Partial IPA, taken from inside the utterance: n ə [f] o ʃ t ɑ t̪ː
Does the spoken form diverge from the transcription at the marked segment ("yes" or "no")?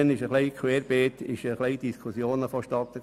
no